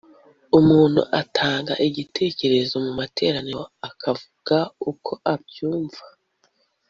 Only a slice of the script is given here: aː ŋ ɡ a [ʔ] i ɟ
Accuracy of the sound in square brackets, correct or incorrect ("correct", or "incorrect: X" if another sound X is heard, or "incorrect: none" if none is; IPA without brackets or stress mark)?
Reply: correct